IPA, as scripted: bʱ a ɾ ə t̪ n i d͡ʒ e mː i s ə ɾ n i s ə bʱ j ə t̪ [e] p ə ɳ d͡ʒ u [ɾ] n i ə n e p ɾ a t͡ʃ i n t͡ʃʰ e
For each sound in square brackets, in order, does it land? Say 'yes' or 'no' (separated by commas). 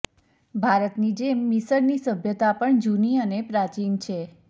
no, no